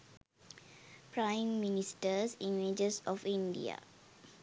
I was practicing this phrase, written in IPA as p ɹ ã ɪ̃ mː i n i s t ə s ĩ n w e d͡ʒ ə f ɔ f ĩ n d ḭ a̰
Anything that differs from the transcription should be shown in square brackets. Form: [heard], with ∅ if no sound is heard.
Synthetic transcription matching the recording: p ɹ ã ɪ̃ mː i n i s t ə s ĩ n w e d͡ʒ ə [s] ɔ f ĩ n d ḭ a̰